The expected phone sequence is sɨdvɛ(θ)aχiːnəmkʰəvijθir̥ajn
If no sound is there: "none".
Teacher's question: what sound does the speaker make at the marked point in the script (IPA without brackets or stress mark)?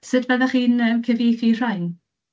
ð